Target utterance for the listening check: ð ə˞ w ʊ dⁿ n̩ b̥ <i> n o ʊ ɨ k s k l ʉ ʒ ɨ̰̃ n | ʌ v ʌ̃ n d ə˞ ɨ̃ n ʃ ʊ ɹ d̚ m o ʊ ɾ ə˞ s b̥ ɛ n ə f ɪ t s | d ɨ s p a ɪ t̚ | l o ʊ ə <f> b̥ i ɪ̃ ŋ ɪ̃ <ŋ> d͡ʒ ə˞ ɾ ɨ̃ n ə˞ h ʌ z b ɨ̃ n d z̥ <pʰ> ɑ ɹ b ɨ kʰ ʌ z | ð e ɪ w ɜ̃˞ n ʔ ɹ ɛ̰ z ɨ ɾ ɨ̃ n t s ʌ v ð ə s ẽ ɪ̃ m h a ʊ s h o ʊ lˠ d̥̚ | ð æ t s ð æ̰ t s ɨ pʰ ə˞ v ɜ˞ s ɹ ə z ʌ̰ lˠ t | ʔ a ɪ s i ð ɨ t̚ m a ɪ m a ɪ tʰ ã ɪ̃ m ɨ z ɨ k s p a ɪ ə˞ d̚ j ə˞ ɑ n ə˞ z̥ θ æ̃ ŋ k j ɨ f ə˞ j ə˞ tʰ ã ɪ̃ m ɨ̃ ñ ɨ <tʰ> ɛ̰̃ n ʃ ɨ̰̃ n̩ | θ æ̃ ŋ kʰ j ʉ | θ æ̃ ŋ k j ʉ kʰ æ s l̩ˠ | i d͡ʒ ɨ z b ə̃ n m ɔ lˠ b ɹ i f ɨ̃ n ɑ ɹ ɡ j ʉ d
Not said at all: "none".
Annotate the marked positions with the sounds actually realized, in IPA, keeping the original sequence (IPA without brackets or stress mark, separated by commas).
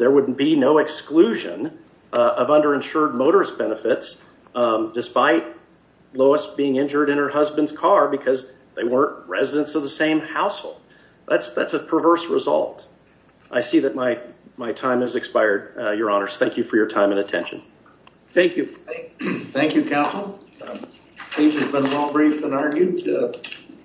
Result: i, s, n, kʰ, tʰ